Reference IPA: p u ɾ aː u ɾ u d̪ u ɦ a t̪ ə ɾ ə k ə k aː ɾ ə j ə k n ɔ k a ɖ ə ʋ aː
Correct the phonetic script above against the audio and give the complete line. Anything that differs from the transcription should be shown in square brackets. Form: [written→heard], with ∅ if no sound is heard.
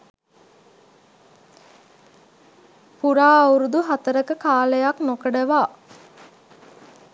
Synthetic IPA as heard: p u ɾ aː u ɾ u d̪ u ɦ a t̪ ə ɾ ə k ə k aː [ɾ→l] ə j [ə→a] k n [ɔ→o] k [a→ə] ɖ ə ʋ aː